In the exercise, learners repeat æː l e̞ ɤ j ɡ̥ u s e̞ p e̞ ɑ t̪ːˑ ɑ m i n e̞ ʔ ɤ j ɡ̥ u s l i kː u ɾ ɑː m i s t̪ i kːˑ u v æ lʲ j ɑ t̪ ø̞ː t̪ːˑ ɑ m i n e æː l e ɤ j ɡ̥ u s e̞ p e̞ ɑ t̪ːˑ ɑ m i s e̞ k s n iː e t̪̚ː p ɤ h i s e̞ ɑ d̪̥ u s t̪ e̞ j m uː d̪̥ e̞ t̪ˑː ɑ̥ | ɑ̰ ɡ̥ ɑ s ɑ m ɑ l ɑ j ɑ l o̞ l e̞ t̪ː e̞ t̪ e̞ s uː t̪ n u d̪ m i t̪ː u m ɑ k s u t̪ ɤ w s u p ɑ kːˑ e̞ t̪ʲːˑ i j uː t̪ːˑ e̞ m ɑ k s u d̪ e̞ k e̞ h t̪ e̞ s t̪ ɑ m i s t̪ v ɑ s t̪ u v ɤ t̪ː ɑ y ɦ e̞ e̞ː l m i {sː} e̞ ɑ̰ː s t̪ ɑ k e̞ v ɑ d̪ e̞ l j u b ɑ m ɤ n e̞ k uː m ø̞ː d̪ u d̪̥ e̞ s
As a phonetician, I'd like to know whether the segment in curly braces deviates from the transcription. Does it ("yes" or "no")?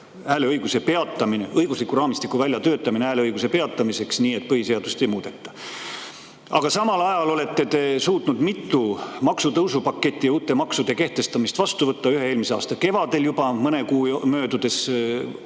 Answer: yes